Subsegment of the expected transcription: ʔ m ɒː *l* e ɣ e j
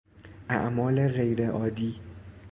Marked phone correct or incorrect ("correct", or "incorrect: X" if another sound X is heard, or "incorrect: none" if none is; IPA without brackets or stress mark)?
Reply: correct